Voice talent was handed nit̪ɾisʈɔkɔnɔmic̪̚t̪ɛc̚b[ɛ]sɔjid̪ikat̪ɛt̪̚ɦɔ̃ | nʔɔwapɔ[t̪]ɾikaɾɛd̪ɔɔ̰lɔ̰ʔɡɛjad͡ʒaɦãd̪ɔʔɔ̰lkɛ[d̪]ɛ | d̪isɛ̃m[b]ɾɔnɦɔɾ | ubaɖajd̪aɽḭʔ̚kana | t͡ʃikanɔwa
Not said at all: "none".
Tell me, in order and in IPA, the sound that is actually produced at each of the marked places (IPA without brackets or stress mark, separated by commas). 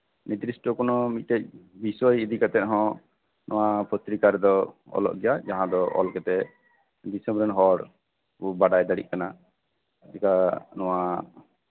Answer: i, t̪, t̪, b